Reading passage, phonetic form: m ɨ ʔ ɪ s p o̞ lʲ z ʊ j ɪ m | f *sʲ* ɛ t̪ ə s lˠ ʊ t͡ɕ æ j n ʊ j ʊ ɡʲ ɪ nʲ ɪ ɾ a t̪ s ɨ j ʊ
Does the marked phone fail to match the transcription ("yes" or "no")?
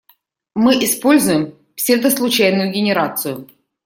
no